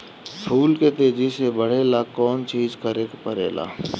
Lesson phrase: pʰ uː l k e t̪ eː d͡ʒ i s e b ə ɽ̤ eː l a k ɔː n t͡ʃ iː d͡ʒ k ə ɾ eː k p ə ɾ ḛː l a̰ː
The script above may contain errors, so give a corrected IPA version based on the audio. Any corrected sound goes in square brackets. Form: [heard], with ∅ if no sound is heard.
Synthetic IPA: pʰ uː l k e t̪ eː d͡ʒ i s e b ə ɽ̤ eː l a k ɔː n t͡ʃ iː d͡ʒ k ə ɾ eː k p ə ɾ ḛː l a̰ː